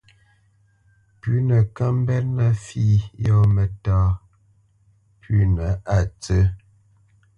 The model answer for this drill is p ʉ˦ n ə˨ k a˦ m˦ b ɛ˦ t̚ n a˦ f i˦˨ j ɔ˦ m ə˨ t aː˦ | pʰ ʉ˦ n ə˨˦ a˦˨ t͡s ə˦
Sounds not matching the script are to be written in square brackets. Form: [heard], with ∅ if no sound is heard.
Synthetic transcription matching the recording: p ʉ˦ n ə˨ k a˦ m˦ b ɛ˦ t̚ n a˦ f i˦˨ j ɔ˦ m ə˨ t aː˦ | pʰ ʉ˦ n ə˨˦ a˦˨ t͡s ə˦

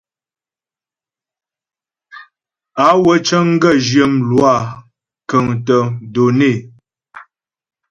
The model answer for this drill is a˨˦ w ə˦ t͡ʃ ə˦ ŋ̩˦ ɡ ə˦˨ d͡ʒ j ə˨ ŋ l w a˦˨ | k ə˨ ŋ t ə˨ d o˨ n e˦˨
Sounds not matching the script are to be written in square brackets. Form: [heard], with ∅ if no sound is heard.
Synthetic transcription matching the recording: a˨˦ w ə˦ t͡ʃ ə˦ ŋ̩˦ ɡ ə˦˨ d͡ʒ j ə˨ [m] l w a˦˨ | k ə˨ ŋ t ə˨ d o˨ n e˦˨

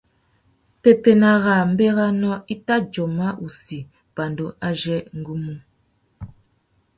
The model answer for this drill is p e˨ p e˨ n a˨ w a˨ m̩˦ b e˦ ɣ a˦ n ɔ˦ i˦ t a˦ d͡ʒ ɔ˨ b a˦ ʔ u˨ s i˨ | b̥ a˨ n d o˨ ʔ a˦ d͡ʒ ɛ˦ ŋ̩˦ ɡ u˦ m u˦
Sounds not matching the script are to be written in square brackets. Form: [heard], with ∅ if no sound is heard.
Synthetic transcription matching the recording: p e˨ p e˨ n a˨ [ɣ] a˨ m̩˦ b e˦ ɣ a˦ n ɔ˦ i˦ t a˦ d͡ʒ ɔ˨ [m] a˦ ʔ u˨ s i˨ | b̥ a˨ n d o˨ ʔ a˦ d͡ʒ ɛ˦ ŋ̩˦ ɡ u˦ m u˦

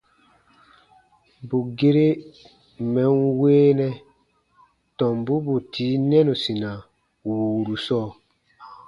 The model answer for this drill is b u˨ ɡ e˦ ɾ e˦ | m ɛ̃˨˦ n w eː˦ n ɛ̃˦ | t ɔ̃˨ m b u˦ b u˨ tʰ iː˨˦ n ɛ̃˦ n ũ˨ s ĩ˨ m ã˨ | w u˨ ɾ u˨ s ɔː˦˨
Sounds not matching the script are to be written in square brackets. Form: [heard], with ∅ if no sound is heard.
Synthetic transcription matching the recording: b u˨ ɡ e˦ ɾ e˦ | m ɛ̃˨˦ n w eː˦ n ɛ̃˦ | t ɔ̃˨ m b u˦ b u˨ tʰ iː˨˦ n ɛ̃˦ n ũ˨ s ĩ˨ [n] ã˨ | w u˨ ɾ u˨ s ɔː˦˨

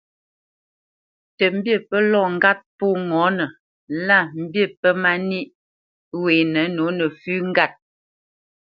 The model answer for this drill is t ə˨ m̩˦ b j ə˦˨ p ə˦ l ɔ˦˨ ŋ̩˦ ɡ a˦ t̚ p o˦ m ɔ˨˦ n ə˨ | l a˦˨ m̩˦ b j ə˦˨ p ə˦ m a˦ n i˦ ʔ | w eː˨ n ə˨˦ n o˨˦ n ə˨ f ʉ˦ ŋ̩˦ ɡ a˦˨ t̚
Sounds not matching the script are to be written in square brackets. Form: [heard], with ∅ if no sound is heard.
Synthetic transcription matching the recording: t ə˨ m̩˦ b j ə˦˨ p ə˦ l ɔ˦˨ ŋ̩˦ ɡ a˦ t̚ p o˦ [ŋ] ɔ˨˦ n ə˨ | l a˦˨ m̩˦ b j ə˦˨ p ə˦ m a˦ n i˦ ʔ | w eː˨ n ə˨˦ n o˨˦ n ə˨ f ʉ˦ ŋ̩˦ ɡ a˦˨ t̚

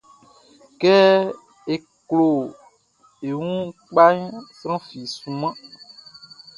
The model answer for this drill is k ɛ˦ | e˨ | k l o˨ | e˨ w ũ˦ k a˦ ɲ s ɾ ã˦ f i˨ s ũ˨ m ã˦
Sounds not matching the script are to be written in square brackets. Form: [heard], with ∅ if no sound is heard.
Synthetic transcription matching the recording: k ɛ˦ | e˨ | k l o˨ | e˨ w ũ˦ [k͡p] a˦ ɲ s ɾ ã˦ f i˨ s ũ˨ m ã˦

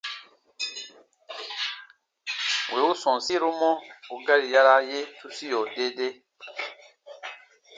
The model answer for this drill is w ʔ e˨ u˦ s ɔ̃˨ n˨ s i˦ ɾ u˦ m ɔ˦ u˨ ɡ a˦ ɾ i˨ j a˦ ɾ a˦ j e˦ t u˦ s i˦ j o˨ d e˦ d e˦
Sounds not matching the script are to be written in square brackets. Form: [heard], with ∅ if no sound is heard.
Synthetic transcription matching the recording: w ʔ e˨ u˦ s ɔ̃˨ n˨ s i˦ ɾ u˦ m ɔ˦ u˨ ɡ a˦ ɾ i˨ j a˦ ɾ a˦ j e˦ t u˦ s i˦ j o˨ d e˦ d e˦

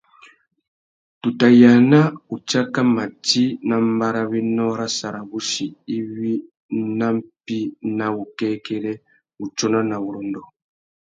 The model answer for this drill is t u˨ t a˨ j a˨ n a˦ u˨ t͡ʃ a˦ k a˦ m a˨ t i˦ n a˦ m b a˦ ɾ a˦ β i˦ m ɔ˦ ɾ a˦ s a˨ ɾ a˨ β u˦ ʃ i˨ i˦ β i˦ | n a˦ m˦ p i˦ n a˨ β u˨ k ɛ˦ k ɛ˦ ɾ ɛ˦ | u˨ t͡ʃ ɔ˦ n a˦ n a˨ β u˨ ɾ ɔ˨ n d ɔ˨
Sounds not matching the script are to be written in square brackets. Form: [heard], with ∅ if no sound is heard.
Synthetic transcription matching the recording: t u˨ t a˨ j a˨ n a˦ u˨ t͡ʃ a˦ k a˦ m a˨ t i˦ n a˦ m b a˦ ɾ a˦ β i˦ [n] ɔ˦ ɾ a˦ s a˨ ɾ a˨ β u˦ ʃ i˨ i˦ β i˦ | n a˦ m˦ p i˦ n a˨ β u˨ k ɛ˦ k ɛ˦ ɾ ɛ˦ | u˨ t͡ʃ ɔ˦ n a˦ n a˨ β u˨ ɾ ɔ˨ n d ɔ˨

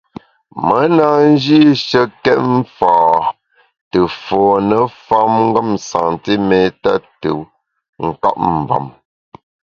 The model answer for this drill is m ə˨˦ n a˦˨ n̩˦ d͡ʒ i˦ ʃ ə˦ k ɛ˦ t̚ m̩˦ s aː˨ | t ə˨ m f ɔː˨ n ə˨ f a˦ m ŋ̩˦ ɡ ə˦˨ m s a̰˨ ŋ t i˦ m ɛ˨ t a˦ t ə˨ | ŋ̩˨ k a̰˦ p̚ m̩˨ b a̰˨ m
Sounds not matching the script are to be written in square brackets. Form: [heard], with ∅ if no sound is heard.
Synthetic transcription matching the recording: m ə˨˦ n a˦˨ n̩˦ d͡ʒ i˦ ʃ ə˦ k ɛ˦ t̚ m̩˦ [f] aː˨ | t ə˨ [∅] f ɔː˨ n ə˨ f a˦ m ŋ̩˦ ɡ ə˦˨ m s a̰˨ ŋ t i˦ m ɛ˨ t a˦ t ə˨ | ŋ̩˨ k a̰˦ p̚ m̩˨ b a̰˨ m

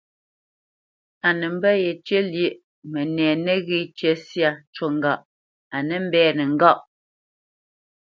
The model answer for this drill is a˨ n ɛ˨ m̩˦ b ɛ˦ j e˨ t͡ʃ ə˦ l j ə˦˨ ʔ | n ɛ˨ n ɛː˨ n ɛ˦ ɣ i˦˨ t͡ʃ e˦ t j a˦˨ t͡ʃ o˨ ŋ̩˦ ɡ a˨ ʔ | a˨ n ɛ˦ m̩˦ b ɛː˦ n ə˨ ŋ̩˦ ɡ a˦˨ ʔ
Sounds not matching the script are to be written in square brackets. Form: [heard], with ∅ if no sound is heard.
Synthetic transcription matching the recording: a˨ n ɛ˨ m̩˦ b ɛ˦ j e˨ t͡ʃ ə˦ l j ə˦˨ ʔ | [m] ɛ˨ n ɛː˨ n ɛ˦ ɣ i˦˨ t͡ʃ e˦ [s] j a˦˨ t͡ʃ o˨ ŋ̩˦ ɡ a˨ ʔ | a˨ n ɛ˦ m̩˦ b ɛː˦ n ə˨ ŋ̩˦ ɡ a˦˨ ʔ

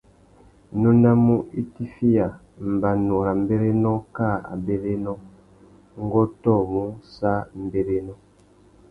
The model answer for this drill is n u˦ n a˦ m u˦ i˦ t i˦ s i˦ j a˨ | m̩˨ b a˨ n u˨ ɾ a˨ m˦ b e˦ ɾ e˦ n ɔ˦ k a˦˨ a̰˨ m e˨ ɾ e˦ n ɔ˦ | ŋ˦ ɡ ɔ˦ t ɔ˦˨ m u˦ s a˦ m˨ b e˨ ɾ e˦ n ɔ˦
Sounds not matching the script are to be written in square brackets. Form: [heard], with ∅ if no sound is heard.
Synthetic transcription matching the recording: n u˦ n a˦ m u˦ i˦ t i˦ [f] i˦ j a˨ | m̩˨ b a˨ n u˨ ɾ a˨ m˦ b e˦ ɾ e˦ n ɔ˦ k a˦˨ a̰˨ [b] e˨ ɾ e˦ n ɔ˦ | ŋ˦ ɡ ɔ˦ t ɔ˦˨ m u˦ s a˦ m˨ b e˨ ɾ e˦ n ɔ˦

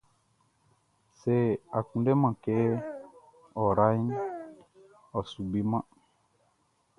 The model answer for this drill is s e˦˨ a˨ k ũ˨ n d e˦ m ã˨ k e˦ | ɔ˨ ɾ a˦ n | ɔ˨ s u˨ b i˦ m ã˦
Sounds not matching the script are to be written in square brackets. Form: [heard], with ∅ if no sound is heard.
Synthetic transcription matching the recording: s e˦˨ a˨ k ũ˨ n d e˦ m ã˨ k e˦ | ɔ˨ ɾ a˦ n | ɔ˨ s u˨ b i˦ m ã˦

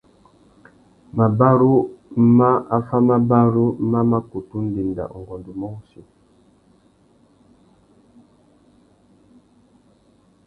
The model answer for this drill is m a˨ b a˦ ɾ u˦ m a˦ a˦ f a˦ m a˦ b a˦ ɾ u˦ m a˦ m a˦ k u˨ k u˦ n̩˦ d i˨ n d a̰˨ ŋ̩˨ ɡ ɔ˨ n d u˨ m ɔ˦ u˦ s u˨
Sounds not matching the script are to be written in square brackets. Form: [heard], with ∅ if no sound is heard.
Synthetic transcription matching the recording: m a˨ b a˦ ɾ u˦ m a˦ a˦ f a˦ m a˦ b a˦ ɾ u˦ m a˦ m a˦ k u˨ [t] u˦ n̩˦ d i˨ n d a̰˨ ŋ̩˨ ɡ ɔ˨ n d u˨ m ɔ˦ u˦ s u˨

